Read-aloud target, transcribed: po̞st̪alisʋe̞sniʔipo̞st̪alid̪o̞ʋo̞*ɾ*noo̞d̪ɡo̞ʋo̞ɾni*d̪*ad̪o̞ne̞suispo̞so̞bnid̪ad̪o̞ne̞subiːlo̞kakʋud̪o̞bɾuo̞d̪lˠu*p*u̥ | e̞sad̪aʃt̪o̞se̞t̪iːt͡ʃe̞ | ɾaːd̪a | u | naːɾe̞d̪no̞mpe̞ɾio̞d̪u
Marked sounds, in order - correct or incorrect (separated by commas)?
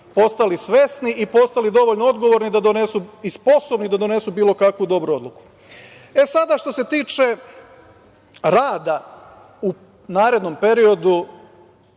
incorrect, correct, incorrect